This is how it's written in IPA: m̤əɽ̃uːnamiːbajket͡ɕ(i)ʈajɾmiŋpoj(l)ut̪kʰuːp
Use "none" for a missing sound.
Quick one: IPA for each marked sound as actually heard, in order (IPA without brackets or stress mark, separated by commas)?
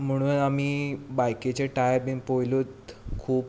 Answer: e, l